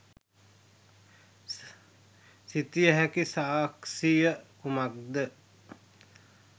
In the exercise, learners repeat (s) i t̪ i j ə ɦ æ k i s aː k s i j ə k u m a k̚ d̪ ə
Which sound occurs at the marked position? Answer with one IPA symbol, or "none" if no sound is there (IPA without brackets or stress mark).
s